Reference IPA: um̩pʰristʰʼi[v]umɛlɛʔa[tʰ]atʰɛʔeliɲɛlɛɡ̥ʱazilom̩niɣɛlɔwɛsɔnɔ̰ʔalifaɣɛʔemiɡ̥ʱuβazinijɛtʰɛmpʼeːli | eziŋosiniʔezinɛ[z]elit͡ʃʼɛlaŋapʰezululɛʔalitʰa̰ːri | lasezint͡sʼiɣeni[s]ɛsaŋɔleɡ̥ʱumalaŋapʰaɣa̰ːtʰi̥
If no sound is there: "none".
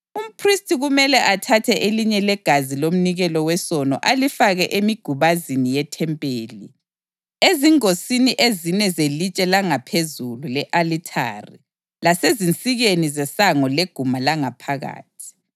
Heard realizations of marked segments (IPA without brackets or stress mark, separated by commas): ɣ, tʰ, z, z